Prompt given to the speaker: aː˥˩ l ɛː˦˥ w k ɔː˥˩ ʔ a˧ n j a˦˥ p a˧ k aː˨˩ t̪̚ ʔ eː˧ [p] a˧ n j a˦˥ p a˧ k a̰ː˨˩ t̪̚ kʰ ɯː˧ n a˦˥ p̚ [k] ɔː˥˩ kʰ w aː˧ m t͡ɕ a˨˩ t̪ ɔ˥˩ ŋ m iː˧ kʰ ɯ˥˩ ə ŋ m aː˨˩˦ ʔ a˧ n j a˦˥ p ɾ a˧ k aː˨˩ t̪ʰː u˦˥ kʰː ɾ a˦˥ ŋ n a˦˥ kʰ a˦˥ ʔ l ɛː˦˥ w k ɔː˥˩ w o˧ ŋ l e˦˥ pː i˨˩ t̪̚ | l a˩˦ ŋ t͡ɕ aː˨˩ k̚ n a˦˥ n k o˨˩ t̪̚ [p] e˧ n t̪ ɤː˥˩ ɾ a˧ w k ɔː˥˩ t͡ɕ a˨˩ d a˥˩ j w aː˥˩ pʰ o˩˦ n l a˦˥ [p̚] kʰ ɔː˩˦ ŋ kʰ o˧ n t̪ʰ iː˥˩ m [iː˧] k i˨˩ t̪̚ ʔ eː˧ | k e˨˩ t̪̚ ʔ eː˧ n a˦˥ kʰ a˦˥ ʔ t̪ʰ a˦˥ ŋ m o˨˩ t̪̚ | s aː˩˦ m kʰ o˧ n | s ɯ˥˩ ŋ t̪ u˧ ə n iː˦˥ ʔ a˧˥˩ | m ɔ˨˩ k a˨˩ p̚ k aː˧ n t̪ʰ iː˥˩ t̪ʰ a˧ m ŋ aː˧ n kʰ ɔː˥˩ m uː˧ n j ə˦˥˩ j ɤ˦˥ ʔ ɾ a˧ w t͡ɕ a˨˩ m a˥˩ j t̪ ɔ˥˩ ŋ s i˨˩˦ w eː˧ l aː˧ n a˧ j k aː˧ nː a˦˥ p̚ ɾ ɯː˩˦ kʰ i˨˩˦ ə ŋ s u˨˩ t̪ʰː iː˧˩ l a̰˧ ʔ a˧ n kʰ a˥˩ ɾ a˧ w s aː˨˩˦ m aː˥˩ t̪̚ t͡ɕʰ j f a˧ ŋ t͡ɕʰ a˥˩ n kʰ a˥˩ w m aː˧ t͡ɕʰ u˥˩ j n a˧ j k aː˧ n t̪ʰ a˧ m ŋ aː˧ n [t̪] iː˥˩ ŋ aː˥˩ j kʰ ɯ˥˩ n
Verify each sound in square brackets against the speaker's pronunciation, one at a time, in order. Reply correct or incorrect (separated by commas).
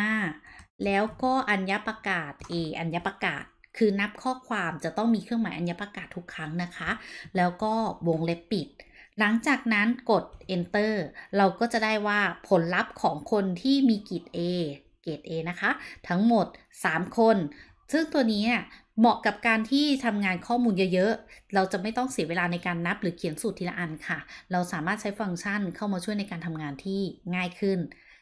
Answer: incorrect, incorrect, incorrect, correct, correct, incorrect